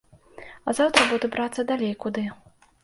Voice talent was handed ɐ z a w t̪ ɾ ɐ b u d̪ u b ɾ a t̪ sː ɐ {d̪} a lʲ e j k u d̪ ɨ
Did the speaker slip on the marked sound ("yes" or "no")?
no